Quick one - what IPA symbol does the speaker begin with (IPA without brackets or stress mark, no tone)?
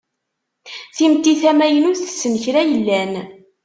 θ